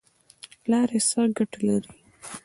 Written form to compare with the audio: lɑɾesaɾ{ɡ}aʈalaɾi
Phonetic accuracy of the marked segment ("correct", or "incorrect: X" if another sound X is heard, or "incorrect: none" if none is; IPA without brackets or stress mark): correct